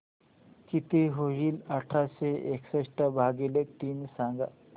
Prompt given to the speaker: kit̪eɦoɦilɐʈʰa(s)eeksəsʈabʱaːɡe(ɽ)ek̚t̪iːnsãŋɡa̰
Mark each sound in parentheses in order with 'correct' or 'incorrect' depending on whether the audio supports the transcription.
correct, incorrect: l

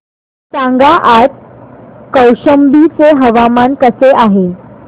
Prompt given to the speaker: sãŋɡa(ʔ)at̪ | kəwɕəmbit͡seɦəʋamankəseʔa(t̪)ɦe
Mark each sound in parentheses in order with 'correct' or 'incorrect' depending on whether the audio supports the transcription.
correct, incorrect: none

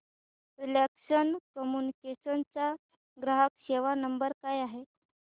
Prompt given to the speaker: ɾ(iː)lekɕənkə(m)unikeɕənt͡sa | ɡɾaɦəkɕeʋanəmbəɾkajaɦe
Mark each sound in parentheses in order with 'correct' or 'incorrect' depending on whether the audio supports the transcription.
incorrect: i, correct

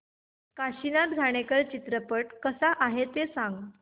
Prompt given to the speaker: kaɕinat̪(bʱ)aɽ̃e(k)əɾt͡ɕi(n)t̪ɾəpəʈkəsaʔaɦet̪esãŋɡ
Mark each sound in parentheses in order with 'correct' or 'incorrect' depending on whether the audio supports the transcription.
incorrect: ɡʱ, correct, incorrect: none

